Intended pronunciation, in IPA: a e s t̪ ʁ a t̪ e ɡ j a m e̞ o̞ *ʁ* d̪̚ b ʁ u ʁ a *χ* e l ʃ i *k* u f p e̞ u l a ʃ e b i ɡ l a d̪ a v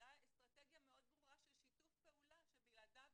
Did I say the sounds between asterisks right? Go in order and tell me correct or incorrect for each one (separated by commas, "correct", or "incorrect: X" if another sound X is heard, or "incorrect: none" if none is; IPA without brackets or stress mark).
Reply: incorrect: none, incorrect: ʃ, incorrect: t